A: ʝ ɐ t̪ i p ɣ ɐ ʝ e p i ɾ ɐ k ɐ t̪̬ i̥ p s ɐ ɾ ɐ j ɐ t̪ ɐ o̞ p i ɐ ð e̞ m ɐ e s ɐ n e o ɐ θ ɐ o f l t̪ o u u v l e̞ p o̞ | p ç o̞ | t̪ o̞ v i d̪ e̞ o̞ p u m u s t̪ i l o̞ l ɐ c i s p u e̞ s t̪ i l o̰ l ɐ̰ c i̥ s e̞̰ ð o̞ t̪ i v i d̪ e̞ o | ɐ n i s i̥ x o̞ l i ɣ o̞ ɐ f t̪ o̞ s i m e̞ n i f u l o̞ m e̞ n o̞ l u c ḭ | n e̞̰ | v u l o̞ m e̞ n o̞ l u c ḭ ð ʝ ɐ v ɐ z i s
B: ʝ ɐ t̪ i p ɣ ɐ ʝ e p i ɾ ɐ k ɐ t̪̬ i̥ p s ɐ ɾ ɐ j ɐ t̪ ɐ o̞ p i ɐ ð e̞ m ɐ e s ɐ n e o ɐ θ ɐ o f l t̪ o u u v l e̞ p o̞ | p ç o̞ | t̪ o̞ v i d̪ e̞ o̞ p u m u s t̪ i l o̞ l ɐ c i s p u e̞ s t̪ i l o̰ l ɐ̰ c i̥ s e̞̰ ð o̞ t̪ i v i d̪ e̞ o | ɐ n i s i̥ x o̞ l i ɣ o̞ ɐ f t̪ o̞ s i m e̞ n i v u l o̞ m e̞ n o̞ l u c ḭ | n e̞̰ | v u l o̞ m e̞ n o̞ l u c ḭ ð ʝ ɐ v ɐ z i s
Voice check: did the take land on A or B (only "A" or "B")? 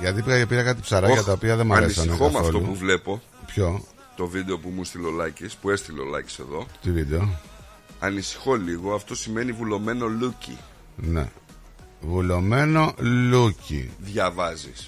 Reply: B